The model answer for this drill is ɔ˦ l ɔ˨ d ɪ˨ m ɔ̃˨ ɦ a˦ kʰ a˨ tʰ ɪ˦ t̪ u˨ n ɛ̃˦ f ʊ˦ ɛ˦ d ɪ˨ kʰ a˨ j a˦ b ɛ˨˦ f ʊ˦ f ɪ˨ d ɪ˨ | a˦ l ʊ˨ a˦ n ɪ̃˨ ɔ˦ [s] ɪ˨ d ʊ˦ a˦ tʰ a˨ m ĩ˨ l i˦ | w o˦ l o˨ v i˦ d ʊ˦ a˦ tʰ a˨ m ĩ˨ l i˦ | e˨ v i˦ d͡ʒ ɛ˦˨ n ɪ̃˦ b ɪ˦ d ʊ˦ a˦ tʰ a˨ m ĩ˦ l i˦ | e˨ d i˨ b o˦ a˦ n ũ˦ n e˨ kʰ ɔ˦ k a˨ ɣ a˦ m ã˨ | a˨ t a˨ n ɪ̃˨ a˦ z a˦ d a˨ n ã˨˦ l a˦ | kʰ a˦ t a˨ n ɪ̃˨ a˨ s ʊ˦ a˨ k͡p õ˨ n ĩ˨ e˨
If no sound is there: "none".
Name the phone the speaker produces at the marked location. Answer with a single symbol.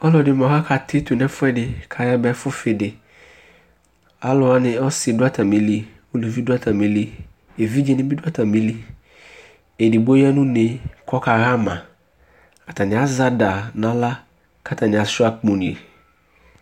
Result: s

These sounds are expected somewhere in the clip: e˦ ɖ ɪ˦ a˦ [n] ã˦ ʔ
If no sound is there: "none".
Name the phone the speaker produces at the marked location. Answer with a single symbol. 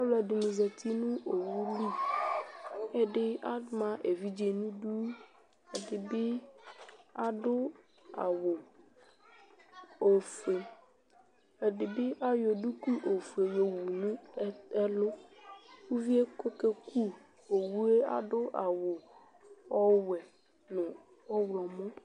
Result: m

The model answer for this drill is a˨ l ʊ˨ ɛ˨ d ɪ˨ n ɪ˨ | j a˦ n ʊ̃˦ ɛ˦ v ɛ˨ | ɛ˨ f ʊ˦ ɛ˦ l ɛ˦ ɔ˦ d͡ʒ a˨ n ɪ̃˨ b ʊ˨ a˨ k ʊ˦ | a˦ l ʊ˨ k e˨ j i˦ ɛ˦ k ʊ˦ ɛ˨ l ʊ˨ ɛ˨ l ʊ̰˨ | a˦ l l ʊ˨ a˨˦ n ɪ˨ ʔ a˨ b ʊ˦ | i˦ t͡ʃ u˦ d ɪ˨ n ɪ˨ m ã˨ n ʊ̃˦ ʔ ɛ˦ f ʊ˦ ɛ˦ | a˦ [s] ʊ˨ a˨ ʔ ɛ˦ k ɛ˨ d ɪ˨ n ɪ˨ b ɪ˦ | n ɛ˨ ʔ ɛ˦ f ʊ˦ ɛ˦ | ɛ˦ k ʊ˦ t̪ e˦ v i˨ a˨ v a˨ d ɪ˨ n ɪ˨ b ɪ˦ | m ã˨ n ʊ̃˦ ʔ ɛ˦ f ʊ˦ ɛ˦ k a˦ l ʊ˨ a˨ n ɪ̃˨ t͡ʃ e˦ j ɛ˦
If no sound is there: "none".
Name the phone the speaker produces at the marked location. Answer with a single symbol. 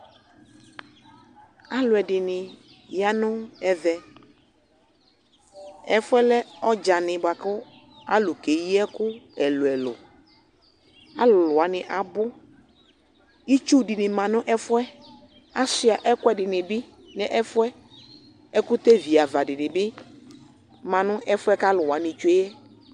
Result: s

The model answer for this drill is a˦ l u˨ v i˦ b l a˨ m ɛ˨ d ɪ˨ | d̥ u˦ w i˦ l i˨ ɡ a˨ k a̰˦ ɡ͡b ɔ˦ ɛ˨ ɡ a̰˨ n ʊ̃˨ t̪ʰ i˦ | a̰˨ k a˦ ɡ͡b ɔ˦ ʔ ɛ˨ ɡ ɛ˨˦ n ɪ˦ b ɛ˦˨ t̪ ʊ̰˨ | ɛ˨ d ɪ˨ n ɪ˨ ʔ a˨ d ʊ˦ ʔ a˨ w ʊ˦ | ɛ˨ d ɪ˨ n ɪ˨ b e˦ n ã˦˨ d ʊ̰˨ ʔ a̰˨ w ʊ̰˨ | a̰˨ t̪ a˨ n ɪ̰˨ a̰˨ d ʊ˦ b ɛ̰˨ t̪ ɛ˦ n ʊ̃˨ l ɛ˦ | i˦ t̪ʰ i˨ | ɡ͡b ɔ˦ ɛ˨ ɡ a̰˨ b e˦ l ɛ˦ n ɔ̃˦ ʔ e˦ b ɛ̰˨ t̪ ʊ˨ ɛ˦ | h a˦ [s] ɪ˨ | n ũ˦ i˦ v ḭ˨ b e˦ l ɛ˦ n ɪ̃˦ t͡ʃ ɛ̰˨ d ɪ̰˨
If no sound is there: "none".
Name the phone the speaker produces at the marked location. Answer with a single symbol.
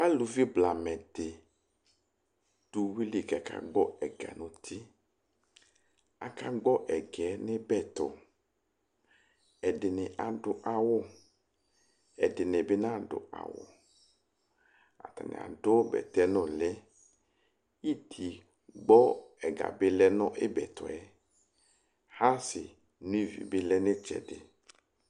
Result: s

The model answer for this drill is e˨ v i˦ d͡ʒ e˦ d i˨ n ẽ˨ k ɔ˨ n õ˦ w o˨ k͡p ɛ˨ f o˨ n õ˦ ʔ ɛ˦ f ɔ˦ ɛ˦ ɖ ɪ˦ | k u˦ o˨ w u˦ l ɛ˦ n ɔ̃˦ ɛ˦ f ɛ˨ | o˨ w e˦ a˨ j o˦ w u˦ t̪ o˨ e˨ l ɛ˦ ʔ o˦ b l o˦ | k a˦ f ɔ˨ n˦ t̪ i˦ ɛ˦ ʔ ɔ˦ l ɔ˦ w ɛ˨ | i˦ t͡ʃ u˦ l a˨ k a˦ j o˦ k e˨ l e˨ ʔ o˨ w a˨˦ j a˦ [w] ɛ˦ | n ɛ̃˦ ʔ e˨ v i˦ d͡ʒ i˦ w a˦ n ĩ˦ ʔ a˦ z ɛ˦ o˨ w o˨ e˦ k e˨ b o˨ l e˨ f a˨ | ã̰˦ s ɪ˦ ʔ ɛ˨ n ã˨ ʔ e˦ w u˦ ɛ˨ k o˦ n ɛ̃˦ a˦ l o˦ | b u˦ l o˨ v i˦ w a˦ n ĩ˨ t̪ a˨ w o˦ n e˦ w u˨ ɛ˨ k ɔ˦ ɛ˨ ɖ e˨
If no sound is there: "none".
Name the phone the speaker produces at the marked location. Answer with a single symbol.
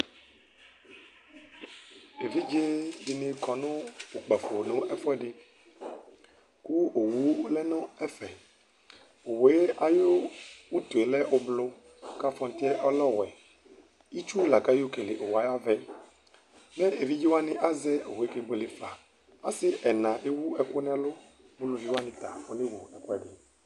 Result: v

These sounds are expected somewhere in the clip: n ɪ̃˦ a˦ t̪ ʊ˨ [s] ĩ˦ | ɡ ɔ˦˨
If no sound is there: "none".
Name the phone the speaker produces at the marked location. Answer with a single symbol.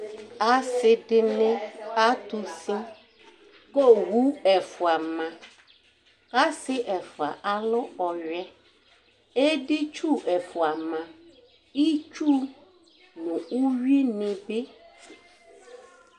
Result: s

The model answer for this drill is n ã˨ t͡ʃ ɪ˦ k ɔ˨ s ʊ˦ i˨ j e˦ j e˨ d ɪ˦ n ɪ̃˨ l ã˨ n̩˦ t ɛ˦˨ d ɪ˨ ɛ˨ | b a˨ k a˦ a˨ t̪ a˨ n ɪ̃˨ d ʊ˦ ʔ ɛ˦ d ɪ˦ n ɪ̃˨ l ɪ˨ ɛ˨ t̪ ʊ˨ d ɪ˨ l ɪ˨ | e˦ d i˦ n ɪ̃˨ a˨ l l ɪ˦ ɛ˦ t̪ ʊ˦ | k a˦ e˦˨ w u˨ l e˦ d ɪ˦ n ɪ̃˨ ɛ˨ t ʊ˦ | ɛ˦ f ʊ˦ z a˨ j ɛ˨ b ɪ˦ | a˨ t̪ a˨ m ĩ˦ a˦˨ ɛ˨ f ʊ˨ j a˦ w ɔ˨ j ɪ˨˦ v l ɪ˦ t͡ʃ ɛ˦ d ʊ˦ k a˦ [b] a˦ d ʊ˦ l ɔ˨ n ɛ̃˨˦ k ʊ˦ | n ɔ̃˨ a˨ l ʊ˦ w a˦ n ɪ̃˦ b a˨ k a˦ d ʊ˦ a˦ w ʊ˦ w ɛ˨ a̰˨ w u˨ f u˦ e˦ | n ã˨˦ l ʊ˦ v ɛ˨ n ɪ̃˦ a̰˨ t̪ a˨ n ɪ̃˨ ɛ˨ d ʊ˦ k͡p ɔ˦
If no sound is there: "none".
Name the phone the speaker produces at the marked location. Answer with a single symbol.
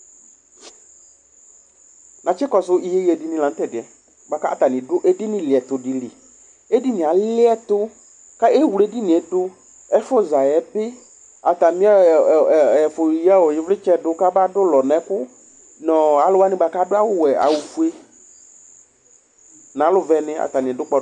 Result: b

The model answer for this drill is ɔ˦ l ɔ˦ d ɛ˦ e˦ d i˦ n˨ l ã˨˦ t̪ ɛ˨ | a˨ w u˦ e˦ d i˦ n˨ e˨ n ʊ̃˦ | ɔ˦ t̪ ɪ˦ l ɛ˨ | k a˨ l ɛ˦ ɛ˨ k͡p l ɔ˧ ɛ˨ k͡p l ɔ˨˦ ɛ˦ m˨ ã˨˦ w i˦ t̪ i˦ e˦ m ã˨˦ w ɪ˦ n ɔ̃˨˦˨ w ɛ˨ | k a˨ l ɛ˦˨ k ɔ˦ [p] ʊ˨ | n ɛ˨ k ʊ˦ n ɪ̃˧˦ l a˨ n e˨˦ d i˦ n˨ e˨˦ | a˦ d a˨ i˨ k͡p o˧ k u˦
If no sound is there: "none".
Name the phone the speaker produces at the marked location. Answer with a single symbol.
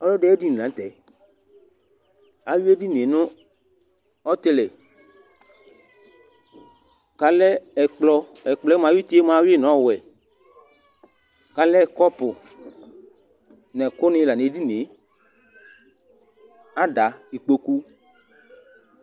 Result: p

